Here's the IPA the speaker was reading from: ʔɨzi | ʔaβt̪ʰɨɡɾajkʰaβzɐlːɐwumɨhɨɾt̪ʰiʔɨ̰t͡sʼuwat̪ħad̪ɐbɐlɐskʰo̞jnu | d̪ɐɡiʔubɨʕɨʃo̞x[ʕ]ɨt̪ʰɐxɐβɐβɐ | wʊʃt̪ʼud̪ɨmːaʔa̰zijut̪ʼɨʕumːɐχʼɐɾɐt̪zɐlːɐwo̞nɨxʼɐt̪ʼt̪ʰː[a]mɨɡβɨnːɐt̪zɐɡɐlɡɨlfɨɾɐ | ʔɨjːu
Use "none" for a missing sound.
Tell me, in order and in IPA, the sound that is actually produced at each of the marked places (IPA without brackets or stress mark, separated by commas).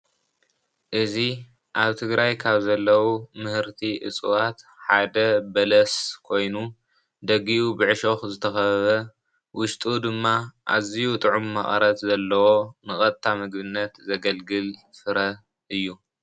z, a